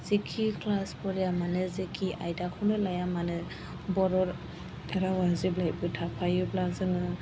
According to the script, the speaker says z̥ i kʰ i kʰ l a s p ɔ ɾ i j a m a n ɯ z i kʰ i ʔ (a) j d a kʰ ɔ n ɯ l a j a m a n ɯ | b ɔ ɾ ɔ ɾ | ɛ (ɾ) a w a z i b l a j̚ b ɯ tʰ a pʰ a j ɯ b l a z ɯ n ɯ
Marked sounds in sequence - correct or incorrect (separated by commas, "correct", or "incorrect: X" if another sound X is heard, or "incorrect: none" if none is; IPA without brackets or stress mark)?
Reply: correct, correct